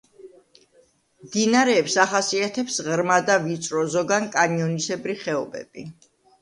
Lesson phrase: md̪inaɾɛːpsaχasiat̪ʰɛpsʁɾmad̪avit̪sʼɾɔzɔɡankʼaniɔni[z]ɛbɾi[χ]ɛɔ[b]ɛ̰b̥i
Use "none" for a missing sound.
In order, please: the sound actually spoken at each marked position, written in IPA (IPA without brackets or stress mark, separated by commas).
s, χ, b